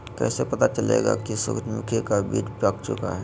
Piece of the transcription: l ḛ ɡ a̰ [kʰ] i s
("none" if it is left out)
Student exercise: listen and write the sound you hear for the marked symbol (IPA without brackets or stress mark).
k